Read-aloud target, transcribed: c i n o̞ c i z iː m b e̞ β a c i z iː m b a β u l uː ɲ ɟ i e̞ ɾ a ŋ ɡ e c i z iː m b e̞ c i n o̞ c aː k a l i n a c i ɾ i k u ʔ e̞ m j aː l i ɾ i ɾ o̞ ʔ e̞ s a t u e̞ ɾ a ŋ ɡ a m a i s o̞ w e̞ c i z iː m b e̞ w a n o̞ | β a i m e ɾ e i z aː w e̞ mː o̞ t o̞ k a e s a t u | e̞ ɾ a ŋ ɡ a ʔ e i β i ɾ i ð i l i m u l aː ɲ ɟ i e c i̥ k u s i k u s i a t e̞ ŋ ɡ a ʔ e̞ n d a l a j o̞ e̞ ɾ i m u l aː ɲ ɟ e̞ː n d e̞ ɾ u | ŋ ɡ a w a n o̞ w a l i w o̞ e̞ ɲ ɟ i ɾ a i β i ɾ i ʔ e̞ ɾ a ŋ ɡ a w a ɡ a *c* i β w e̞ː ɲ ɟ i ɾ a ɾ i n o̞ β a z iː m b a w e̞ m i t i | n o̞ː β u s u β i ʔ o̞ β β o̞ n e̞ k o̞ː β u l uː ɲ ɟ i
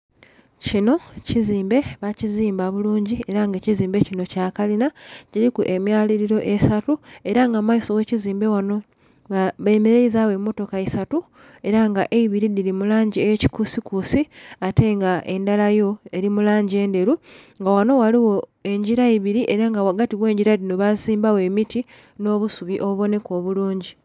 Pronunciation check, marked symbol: incorrect: t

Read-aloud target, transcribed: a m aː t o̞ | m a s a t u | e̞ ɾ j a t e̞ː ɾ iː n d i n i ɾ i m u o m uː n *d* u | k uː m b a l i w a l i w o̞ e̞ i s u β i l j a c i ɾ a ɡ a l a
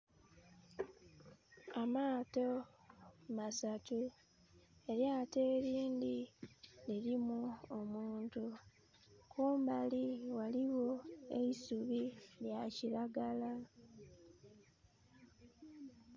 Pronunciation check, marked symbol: incorrect: t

